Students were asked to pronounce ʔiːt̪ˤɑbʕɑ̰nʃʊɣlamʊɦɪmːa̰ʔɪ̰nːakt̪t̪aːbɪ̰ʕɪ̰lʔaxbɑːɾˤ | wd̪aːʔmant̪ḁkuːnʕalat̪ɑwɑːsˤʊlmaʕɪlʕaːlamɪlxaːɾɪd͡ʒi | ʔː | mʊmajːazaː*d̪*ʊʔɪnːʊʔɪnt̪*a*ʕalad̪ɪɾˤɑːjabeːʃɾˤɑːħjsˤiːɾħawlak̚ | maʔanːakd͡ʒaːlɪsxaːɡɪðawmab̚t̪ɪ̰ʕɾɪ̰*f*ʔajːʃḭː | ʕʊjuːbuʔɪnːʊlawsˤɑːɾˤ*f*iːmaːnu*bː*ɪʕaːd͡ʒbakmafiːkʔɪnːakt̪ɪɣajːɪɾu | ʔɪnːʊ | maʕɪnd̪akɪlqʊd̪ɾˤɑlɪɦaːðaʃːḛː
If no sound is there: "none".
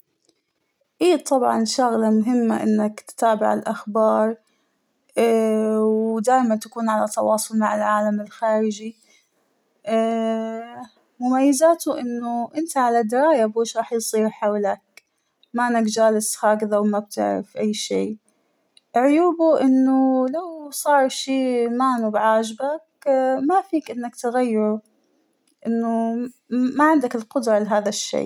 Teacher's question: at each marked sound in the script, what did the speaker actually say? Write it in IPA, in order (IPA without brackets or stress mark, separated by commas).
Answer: t̪, a, f, ʃ, b